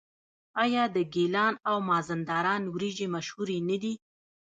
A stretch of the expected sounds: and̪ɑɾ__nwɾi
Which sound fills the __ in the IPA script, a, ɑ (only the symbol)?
ɑ